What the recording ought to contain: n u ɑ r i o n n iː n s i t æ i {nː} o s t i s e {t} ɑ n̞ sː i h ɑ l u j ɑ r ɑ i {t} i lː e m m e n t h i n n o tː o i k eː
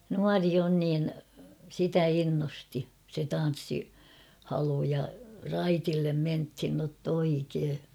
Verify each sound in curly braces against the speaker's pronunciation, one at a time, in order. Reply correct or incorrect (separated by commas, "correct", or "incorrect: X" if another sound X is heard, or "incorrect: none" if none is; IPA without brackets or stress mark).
correct, correct, correct